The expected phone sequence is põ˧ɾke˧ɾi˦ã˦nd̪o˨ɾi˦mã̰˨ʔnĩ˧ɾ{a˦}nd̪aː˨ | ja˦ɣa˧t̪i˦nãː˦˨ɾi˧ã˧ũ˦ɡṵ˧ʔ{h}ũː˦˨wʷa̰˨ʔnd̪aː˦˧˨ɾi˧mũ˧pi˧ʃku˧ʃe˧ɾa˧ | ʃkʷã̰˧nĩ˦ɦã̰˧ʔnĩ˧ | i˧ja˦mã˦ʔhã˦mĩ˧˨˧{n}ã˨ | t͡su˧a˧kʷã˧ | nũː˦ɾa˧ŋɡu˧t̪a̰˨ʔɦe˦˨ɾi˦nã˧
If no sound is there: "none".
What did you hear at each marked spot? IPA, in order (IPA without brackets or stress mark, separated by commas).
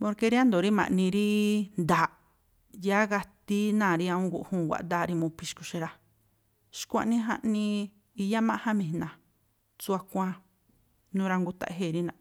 i˦, h, n